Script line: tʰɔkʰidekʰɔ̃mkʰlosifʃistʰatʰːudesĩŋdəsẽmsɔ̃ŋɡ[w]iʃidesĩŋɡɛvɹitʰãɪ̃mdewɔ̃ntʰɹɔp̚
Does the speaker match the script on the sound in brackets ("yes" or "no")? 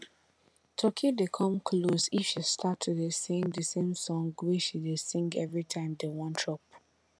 yes